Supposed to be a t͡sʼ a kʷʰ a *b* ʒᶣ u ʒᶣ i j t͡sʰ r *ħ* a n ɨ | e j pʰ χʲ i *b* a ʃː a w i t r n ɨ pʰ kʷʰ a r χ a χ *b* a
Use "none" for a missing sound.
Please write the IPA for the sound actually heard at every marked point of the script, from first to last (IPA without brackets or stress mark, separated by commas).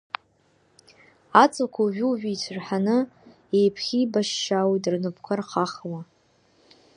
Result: none, ħ, b, w